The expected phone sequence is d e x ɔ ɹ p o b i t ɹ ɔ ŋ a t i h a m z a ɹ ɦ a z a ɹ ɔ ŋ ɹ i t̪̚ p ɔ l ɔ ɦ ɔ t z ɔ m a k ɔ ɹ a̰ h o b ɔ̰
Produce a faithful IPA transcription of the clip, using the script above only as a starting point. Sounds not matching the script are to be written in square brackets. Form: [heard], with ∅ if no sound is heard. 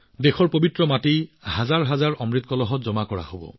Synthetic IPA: d e x ɔ ɹ p o b i t ɹ ɔ [m] a t i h a [∅] z a ɹ ɦ a z a ɹ ɔ [m] ɹ i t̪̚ [k] ɔ l ɔ ɦ ɔ t z ɔ m a k ɔ ɹ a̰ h o b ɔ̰